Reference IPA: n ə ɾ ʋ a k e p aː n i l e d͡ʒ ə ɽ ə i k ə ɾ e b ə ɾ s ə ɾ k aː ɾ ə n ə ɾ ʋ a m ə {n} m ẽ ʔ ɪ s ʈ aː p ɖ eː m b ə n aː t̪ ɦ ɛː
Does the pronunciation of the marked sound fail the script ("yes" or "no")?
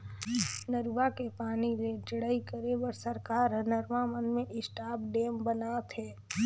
no